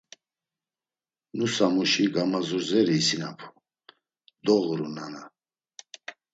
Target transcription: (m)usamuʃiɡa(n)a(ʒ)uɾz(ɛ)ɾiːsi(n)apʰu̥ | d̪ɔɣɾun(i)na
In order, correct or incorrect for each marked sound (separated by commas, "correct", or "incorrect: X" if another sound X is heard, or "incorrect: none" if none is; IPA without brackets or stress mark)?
incorrect: n, incorrect: m, incorrect: z, correct, correct, incorrect: a